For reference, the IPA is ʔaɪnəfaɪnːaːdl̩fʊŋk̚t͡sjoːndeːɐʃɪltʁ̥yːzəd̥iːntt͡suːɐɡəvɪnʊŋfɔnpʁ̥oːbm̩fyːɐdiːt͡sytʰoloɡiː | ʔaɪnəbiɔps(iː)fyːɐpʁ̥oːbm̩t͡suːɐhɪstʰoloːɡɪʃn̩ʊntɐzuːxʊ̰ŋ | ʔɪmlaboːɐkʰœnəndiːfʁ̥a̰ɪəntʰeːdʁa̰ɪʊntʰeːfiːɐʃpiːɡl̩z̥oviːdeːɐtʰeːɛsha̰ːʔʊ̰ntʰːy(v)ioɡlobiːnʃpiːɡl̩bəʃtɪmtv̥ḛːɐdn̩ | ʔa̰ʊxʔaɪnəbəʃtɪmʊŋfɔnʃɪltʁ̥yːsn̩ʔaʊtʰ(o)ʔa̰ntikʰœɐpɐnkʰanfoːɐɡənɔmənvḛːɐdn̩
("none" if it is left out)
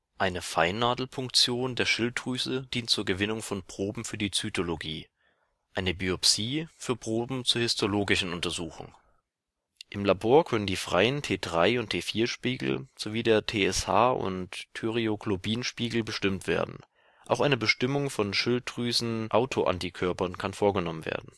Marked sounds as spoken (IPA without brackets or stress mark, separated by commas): iː, ʁ, o